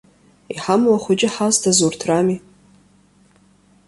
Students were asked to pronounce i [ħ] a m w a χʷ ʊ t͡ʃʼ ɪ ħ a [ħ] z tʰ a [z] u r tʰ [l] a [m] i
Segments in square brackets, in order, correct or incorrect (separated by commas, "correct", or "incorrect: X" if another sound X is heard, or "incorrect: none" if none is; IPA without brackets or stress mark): correct, incorrect: none, correct, incorrect: r, correct